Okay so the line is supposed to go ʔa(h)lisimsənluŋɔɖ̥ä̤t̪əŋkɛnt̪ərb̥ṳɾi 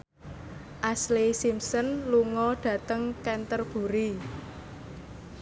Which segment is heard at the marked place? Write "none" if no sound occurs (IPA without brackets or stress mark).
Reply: s